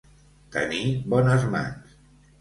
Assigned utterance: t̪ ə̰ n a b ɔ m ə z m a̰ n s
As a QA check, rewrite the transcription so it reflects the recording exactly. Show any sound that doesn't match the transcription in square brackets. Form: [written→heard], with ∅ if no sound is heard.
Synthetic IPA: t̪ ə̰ n [a→i] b ɔ [m→n] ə z m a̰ n s